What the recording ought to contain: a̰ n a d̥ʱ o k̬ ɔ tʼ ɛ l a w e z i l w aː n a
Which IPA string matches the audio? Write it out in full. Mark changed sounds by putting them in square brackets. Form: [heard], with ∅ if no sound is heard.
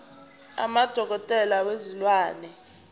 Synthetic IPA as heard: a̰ [m] a d̥ʱ [ɔ] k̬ ɔ tʼ ɛ l a w e z i l w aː n [ɛ]